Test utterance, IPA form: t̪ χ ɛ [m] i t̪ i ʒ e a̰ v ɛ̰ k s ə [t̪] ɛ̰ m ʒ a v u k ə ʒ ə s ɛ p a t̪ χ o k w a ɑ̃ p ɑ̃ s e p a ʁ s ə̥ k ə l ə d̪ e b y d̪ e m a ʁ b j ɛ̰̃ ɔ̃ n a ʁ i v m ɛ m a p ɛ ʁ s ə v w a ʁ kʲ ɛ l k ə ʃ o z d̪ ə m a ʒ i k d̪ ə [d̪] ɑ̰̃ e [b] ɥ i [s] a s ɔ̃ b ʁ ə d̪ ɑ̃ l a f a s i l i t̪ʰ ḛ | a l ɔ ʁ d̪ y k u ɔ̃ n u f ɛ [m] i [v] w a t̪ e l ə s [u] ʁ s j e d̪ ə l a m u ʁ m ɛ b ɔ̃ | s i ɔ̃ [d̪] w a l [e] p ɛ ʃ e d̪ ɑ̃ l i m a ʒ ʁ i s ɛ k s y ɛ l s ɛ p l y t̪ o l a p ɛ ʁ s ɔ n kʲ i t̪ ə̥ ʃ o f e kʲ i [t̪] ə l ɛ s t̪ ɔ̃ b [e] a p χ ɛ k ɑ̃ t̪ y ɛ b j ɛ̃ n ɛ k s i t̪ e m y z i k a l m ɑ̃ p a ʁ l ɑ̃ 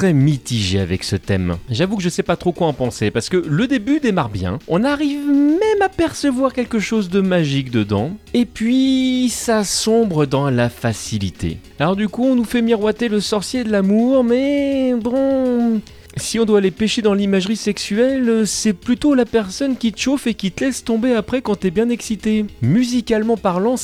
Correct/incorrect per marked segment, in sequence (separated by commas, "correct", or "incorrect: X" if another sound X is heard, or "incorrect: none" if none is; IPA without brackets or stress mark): correct, correct, correct, incorrect: p, correct, correct, incorrect: ʁ, incorrect: ɔ, correct, correct, correct, correct